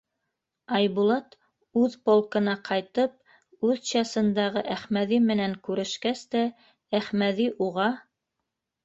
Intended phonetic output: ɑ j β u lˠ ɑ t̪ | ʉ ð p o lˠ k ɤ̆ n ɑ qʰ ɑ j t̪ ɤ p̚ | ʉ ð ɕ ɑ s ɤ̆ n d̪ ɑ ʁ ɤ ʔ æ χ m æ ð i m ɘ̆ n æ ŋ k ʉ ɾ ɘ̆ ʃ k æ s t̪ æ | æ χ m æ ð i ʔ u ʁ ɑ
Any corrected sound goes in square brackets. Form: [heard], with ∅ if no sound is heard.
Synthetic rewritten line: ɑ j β u lˠ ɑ t̪ | ʉ ð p o lˠ k ɤ̆ n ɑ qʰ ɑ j t̪ ɤ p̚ | ʉ ð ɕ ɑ s ɤ̆ n d̪ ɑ ʁ ɤ ʔ æ χ m æ ð i m ɘ̆ n æ ŋ k ʉ ɾ ɘ̆ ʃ k æ s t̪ æ | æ χ m æ ð i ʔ u ʁ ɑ